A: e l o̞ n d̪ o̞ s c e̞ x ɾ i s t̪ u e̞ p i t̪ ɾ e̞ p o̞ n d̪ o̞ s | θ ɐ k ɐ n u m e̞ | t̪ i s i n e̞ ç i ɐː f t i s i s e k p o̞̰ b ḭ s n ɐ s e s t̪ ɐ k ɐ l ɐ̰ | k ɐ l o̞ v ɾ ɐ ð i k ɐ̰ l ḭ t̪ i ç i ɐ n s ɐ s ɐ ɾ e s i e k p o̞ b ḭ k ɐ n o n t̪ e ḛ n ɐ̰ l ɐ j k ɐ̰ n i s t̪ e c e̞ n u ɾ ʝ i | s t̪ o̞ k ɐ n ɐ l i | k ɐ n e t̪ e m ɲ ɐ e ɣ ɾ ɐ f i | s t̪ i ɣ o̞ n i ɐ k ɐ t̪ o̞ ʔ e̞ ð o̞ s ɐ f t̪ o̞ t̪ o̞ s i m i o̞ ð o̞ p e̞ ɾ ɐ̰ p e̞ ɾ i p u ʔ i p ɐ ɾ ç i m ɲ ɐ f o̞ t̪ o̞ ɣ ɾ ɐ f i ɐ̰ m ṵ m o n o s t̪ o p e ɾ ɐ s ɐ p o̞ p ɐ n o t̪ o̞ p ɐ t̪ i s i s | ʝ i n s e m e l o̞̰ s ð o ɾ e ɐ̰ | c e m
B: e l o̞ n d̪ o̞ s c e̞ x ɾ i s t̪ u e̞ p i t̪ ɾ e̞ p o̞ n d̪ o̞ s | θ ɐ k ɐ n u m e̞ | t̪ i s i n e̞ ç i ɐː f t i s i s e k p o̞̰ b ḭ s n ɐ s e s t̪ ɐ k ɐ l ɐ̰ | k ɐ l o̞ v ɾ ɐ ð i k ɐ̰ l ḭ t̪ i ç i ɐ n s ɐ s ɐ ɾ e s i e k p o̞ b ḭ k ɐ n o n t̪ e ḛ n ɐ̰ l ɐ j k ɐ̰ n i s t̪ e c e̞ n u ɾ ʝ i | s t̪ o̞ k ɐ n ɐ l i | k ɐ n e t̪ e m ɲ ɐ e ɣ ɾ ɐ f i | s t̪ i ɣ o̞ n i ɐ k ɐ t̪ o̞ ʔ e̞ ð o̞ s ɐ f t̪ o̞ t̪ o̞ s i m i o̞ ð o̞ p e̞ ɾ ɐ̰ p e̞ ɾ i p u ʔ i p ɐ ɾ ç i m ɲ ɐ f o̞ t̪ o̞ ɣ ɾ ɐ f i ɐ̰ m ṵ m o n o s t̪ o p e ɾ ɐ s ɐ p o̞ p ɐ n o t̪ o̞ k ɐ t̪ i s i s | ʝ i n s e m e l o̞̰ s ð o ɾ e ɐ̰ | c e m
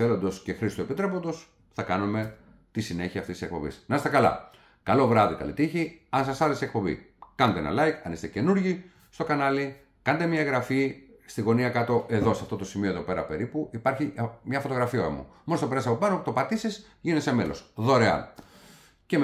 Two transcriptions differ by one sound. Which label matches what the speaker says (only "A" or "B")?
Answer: A